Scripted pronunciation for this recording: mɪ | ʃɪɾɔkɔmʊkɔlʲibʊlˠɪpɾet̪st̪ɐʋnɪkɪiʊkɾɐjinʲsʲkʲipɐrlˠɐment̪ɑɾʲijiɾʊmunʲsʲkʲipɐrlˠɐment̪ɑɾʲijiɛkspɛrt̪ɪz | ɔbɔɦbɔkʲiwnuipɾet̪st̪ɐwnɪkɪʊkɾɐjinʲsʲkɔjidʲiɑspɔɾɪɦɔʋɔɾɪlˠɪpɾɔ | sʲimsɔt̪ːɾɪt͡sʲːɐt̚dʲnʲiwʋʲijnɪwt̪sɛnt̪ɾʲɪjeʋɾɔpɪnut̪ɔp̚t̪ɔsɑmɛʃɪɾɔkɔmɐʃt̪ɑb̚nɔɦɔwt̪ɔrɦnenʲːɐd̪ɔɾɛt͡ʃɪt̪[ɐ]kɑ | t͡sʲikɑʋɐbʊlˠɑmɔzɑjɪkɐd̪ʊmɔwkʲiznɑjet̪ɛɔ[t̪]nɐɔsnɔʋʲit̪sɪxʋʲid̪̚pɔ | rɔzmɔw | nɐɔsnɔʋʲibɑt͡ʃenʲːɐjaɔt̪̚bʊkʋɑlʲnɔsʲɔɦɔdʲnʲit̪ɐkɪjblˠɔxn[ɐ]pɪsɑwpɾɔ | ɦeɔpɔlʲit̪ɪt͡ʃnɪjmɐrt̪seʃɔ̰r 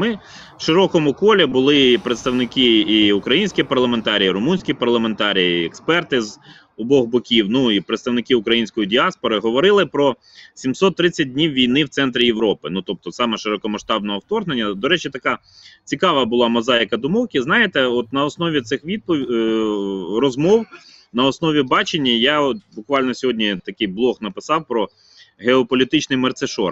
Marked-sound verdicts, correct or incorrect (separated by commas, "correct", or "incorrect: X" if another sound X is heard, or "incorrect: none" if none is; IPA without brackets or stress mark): correct, correct, correct